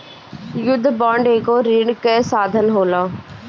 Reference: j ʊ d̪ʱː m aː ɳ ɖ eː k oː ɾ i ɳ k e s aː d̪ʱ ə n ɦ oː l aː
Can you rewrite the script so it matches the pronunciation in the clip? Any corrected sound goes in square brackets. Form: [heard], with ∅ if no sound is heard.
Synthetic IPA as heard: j ʊ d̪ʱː [b] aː ɳ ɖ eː k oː ɾ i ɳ k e s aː d̪ʱ ə n ɦ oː l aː